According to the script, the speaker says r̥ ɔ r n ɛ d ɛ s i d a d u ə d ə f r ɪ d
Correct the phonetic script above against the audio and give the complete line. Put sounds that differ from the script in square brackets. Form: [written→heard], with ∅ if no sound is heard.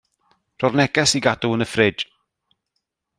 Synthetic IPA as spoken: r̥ ɔ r n ɛ [d→ɡ] ɛ s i [d→ɡ] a d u ə [d→n] ə f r ɪ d